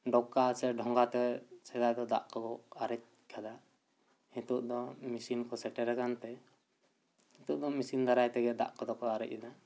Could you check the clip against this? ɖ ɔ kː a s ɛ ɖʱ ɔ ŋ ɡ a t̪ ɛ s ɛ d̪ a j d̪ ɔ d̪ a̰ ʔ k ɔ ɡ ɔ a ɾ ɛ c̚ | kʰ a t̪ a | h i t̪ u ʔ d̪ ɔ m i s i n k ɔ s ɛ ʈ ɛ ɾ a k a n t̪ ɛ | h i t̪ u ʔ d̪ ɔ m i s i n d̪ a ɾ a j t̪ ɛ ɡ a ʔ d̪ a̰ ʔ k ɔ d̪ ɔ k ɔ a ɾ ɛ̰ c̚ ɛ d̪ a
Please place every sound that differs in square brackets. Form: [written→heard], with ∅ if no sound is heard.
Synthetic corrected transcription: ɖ ɔ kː a s ɛ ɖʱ ɔ ŋ ɡ a t̪ ɛ s ɛ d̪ a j d̪ ɔ d̪ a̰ ʔ k ɔ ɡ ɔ a ɾ ɛ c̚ | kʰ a [t̪→d̪] a | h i t̪ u ʔ d̪ ɔ m i s i n k ɔ s ɛ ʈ ɛ ɾ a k a n t̪ ɛ | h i t̪ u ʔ d̪ ɔ m i s i n d̪ a ɾ a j t̪ ɛ ɡ [a→ɛ] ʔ d̪ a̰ ʔ k ɔ d̪ ɔ k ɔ a ɾ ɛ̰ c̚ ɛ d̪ a